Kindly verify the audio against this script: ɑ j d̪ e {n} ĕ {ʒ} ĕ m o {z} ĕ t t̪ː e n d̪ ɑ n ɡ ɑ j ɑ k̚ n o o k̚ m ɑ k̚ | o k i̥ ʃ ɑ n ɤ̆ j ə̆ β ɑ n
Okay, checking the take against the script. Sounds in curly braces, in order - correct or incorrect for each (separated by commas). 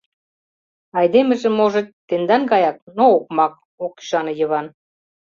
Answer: incorrect, correct, incorrect